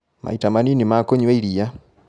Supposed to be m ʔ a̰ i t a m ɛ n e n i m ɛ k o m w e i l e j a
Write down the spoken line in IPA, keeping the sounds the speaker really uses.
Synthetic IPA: m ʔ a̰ i t a m a n i n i m a k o ɲ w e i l i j a

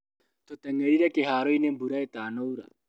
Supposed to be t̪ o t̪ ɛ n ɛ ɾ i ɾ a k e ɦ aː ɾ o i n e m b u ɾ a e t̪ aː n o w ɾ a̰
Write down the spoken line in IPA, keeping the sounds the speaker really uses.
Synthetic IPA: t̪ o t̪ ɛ ŋ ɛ ɾ i ɾ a k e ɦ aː ɾ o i n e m b u ɾ a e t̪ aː n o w ɾ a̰

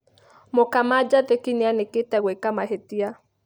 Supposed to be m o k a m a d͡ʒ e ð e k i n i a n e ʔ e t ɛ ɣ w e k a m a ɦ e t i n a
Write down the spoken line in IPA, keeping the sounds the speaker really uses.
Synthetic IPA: m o k a m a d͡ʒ a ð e k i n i a n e k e t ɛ ɣ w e k a m a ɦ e t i a

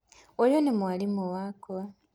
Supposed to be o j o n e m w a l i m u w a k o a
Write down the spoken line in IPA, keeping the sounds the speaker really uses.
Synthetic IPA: o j o n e m w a l i m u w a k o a

